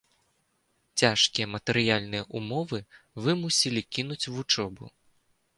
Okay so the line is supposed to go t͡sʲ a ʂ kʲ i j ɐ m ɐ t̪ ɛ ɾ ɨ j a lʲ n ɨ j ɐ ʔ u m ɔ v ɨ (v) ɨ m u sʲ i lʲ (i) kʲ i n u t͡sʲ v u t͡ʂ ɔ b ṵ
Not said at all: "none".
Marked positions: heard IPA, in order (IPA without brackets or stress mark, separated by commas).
v, i